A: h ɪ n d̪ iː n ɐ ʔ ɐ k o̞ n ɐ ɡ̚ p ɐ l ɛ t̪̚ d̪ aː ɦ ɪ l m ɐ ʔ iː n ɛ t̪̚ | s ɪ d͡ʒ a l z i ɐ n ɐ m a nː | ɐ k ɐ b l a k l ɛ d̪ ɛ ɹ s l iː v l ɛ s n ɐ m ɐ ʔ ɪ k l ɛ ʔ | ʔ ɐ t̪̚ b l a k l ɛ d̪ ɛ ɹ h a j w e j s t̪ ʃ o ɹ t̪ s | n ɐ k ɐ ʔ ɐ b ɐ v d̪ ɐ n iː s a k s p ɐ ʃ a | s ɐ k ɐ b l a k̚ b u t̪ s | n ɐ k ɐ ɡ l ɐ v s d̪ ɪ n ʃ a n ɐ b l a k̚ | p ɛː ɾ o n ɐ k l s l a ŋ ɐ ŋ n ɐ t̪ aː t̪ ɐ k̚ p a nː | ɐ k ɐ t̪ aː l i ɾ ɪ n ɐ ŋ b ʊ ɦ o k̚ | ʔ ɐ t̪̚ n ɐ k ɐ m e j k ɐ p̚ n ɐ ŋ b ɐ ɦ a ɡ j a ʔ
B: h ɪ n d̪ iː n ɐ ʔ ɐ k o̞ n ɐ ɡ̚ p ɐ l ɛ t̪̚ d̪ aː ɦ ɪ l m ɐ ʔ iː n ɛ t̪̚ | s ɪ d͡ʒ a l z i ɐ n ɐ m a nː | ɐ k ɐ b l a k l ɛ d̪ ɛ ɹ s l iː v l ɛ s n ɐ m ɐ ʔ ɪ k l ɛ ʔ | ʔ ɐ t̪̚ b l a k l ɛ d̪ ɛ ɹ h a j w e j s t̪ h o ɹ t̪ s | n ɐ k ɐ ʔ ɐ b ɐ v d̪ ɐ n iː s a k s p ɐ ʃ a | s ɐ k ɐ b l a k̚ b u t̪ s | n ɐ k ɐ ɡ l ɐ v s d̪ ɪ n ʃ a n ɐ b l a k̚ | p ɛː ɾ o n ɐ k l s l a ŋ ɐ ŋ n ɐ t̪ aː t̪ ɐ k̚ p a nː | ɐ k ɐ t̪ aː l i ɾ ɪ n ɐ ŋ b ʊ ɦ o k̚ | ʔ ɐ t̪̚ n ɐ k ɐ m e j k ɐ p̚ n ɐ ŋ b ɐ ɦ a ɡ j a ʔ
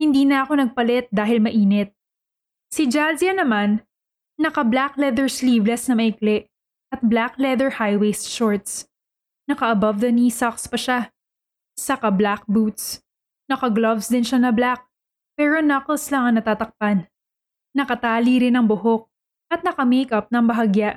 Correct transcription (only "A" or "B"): A